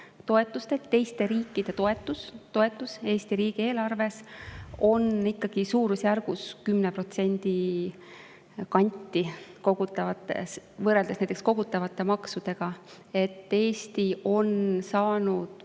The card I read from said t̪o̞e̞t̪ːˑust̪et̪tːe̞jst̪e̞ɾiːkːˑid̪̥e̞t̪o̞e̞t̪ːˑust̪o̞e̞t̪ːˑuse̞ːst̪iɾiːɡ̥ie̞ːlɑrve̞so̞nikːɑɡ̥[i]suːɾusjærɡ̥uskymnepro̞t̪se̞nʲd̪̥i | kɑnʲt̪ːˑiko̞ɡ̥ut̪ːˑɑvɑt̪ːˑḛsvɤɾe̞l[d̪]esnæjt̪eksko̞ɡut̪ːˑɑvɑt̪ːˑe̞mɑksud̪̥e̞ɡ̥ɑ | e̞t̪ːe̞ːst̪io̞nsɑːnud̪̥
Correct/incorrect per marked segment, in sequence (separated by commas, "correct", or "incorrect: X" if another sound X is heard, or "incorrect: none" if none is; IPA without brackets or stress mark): correct, correct